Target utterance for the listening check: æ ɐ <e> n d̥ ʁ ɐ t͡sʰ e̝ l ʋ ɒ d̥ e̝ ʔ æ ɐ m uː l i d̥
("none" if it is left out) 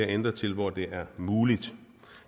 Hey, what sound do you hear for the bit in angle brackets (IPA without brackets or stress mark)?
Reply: e